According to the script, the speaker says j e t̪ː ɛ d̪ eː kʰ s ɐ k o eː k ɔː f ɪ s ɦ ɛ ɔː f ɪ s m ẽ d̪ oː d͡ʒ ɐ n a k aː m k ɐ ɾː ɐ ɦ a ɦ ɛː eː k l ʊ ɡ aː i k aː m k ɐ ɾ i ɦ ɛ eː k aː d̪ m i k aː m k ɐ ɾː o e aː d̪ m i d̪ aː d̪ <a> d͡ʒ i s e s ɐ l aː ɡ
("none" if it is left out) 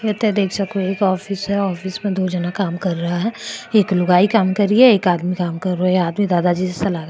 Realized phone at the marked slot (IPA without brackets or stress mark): a